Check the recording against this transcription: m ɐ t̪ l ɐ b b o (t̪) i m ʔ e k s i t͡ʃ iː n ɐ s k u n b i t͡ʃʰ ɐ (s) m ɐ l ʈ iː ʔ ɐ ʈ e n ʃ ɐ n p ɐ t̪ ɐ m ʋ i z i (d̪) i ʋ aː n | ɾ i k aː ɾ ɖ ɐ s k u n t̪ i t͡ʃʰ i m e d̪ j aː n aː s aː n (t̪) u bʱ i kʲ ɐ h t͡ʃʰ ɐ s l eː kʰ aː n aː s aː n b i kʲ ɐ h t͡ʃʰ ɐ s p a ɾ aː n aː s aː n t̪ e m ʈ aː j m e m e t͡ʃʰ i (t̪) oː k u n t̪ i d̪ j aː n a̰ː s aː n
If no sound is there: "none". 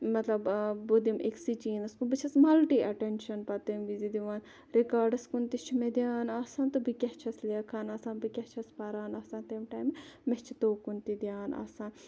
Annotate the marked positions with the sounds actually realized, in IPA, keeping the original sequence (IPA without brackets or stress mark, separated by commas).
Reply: d̪, s, d̪, t̪, t̪